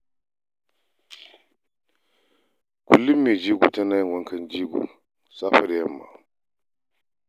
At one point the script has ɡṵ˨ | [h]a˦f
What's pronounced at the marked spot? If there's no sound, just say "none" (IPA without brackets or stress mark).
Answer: s